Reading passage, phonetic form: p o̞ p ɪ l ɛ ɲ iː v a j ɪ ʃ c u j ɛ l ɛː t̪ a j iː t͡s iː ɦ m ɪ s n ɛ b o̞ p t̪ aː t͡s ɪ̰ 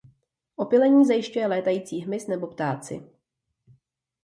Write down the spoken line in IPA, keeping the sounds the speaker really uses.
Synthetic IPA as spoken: ʔ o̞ p ɪ l ɛ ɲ iː z a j ɪ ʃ c u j ɛ l ɛː t̪ a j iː t͡s iː ɦ m ɪ s n ɛ b o̞ p t̪ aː t͡s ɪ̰